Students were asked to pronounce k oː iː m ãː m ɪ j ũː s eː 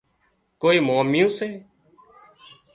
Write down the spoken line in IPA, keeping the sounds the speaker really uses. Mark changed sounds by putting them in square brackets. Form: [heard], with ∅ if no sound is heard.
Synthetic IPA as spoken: k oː iː m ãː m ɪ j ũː s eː